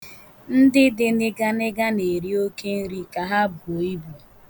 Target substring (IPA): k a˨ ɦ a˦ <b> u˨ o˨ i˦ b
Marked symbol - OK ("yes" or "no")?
yes